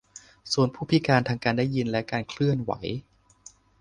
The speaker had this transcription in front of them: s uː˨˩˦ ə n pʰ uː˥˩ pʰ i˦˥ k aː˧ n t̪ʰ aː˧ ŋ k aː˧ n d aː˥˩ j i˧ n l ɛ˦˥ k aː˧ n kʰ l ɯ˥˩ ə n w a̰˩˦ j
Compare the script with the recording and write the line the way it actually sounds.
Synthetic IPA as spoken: s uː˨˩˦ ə n pʰ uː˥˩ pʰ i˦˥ k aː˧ n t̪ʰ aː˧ ŋ k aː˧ n d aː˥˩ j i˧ n l ɛ˦˥ k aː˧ n kʰ l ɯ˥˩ ə n w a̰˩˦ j